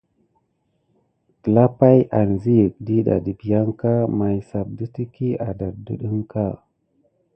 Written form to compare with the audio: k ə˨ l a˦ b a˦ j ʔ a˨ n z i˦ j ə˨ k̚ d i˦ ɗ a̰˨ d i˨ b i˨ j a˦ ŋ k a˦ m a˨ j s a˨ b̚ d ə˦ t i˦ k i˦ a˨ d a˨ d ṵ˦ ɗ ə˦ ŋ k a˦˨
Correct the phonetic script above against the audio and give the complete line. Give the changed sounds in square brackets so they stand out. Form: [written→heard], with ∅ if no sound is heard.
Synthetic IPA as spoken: k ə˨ l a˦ [b→p] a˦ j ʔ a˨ n z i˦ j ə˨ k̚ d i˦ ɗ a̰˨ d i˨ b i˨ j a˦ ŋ k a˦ m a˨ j s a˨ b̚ d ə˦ t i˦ k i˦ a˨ d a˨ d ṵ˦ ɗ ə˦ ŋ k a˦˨

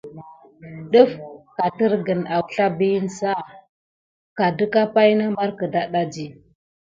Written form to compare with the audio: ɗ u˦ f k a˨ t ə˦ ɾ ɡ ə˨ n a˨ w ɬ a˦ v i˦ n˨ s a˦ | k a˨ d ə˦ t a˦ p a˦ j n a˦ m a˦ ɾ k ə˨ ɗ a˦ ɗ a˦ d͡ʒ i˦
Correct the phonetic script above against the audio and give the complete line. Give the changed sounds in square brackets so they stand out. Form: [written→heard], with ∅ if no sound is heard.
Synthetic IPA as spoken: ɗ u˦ f k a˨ t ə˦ ɾ ɡ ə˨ n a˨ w ɬ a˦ [v→b] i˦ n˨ s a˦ | k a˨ d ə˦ [t→k] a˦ p a˦ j n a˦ m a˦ ɾ k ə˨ [ɗ→d] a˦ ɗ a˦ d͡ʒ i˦

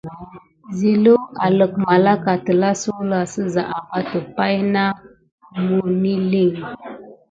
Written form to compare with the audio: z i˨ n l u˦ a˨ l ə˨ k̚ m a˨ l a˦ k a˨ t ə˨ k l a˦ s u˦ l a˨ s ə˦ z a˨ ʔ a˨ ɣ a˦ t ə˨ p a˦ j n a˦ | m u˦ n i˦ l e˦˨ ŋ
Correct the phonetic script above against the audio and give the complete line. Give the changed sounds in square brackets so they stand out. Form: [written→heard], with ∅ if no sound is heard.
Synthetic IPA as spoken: z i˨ [n→∅] l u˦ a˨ l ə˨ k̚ m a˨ l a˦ k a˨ t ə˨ [k→∅] l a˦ s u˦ l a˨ s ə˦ z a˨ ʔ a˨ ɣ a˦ t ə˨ p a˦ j n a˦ | m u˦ n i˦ l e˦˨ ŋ

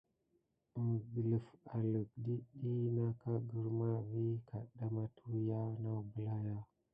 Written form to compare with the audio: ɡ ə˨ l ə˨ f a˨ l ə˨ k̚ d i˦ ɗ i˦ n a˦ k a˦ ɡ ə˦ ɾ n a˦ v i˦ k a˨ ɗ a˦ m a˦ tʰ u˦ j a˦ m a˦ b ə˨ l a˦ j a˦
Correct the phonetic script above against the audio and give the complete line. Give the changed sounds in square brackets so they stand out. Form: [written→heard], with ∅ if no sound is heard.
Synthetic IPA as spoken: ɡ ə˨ l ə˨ f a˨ l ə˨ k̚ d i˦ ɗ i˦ n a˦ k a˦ ɡ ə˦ ɾ [n→m] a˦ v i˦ k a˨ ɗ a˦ m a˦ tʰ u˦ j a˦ [m→n] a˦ b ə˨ l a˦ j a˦

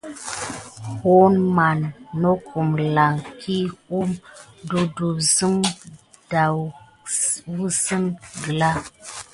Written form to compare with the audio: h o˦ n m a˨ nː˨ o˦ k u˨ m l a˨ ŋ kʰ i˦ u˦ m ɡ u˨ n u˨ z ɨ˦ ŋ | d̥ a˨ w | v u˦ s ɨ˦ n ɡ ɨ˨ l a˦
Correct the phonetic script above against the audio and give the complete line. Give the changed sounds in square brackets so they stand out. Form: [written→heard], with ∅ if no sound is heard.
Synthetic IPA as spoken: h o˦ n m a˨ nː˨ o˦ k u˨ m l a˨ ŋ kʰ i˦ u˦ m [ɡ→d] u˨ [n→d] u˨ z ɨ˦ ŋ | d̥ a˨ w | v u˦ s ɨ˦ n ɡ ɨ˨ l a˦

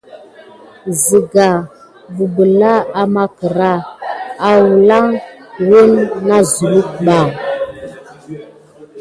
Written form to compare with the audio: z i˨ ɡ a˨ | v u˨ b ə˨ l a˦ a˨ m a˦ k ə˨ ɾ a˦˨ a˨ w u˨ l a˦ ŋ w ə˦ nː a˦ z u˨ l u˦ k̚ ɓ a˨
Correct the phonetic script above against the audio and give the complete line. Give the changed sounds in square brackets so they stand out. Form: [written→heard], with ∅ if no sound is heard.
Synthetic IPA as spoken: z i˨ ɡ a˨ | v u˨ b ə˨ l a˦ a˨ m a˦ k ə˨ ɾ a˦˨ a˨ w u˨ l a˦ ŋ w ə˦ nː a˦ z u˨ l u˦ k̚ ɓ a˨

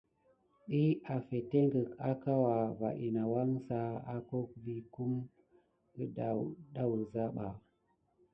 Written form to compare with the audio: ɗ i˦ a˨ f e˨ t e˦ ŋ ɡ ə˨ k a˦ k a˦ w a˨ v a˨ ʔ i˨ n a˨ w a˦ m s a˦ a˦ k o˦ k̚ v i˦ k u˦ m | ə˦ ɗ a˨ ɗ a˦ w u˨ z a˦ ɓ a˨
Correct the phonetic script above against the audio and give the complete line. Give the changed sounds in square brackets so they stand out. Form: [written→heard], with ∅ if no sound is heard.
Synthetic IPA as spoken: ɗ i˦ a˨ f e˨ t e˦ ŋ ɡ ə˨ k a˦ k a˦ w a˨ v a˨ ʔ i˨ n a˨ w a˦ [m→ŋ] s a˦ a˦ k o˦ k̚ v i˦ k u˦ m | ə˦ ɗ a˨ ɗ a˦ w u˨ z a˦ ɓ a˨

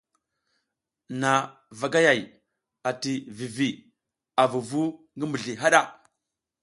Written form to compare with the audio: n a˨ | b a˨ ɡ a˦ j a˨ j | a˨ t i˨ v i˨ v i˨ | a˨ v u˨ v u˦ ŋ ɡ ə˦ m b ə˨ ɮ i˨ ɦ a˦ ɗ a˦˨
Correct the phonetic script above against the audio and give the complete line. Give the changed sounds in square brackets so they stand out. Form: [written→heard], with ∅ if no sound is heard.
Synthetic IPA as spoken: n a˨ | [b→v] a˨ ɡ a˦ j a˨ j | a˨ t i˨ v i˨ v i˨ | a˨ v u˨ v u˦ ŋ ɡ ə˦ m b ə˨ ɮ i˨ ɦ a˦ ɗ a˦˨

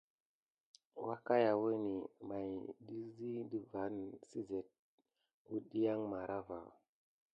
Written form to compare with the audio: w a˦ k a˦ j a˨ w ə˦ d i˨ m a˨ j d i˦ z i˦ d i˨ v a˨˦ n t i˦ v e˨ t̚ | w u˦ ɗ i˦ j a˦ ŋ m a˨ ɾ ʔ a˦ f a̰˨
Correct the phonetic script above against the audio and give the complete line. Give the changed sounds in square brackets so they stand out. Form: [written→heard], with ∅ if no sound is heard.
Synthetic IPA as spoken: w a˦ k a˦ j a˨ w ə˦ [d→n] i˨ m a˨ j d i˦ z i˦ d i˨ v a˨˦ n [t→s] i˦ [v→z] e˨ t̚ | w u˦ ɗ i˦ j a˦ ŋ m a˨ ɾ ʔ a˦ [f→v] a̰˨

